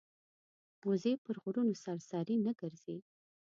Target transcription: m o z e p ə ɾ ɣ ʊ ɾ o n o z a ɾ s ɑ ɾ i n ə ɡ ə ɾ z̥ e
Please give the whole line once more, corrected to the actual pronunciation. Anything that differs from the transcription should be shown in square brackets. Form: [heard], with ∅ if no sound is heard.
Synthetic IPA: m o z e p ə ɾ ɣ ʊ ɾ [u] n o [s] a ɾ s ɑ ɾ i n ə ɡ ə ɾ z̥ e